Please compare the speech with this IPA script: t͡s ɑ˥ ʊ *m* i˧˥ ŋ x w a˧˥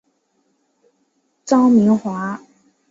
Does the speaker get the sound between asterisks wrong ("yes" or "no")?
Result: no